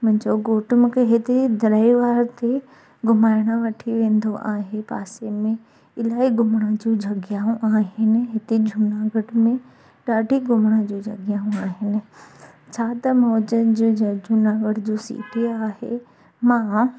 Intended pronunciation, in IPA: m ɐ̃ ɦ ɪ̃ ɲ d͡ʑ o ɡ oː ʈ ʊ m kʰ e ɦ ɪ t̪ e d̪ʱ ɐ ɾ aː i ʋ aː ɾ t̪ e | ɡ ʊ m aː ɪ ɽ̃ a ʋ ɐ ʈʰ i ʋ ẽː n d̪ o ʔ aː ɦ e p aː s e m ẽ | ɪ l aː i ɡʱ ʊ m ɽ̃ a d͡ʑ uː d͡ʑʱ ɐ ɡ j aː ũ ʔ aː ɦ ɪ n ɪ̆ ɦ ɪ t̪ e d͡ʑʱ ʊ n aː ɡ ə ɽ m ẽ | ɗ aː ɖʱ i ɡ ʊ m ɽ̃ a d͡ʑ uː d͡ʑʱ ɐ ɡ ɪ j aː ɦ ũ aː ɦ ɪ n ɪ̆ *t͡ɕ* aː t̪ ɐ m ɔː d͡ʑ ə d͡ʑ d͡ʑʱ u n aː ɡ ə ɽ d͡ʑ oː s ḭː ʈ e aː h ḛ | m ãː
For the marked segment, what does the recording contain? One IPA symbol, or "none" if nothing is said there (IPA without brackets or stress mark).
t͡ɕʰ